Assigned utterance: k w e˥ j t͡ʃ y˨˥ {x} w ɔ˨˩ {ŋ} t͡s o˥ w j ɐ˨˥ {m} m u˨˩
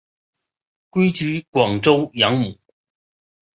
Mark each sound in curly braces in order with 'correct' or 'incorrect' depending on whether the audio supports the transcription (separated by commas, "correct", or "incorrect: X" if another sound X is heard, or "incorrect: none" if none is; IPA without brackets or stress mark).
incorrect: k, correct, incorrect: ŋ